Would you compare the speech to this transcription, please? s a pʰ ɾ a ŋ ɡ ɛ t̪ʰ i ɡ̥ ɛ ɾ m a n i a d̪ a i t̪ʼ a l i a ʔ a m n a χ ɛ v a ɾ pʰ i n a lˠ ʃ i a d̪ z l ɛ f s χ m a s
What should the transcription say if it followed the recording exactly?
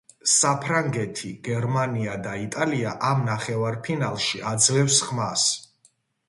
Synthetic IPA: s a pʰ ɾ a ŋ ɡ ɛ t̪ʰ i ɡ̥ ɛ ɾ m a n i a d̪ a i t̪ʼ a l i a ʔ a m n a χ ɛ v a ɾ pʰ i n a lˠ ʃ i a d̪ z l ɛ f s χ m a s